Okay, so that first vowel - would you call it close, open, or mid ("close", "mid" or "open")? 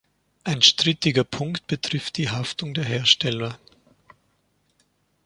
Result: open